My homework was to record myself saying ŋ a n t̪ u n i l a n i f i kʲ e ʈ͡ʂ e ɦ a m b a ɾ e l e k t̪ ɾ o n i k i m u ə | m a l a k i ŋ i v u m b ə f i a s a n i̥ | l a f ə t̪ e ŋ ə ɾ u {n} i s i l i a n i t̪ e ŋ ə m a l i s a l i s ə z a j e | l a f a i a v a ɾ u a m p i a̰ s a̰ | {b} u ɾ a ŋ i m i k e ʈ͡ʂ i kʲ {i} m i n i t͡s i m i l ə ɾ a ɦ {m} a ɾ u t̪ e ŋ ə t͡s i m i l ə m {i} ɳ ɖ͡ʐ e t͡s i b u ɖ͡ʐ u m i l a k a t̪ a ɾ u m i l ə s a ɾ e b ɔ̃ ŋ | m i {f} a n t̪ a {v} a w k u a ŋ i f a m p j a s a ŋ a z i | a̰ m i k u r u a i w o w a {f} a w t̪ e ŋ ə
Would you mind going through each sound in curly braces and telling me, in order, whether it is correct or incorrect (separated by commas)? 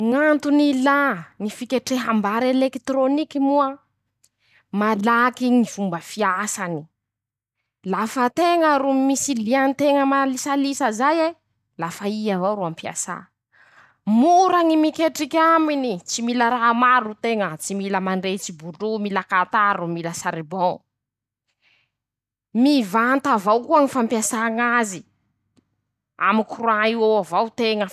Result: incorrect, incorrect, incorrect, correct, incorrect, incorrect, correct, incorrect